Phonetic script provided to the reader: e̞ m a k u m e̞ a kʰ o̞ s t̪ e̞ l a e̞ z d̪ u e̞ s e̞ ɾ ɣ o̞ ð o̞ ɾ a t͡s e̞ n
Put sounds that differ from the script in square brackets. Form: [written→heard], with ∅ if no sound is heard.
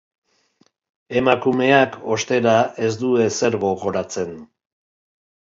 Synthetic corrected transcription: e̞ m a k u m e̞ a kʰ o̞ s t̪ e̞ [l→ɾ] a e̞ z d̪ u e̞ s e̞ ɾ ɣ o̞ [ð→ɣ] o̞ ɾ a t͡s e̞ n